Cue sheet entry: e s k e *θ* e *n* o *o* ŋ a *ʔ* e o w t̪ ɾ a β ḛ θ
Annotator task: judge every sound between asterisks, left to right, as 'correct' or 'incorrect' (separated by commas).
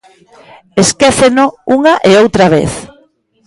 correct, correct, incorrect, correct